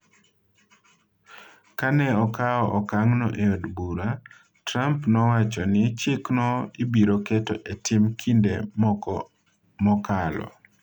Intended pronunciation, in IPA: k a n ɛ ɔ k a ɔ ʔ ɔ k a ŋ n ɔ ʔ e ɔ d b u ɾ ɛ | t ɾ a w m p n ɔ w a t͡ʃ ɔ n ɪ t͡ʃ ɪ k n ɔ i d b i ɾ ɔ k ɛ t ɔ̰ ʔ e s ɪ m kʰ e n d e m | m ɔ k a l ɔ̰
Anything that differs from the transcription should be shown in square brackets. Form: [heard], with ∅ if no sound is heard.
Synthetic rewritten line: k a n ɛ ɔ k a ɔ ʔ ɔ k a ŋ n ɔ ʔ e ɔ d b u ɾ [a] | t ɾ a [∅] m p n ɔ w a t͡ʃ ɔ n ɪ t͡ʃ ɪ k n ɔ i [∅] b i ɾ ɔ k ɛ t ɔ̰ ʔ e [t] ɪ m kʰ [i] n d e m | m ɔ k a l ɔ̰